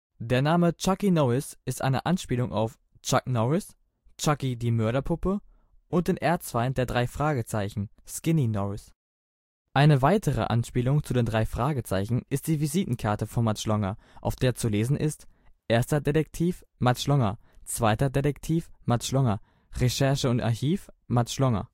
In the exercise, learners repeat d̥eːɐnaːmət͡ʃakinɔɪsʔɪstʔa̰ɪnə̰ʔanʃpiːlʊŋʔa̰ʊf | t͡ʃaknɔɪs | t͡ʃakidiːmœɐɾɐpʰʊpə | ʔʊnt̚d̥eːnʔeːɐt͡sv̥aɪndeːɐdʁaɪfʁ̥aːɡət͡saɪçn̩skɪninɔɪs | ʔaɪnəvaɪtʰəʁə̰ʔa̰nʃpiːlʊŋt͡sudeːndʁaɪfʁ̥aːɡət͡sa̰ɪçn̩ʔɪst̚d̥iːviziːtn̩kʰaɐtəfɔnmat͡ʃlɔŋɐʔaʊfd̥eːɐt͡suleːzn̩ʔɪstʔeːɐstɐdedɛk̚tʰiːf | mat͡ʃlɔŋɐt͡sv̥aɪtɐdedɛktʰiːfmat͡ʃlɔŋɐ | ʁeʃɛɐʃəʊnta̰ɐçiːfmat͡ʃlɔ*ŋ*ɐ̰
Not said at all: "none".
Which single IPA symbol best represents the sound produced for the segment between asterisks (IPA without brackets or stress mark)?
ŋ